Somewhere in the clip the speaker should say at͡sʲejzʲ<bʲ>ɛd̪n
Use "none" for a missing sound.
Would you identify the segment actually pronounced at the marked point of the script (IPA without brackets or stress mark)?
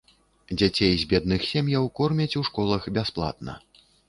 bʲ